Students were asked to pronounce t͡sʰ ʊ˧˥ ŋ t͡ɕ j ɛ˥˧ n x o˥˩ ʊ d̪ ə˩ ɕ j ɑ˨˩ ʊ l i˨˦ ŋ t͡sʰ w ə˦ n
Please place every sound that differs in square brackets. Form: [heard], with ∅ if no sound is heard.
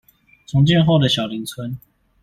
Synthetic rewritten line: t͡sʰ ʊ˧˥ ŋ t͡ɕ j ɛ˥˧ n x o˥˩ ʊ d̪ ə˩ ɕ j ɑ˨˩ ʊ l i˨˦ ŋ t͡sʰ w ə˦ n